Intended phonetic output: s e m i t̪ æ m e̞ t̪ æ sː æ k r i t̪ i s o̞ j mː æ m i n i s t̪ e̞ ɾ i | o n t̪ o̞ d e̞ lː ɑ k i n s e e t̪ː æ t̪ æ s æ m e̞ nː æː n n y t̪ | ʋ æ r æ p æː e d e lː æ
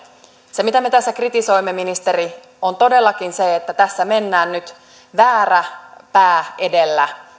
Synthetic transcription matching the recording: s e m i t̪ æ m e̞ t̪ æ sː æ k r i t̪ i s o̞ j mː e m i n i s t̪ e̞ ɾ i | o n t̪ o̞ d e̞ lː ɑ k i n s e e t̪ː æ t̪ æ sː æ m e̞ nː æː n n y t̪ | ʋ æː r æ p æː e d e lː æ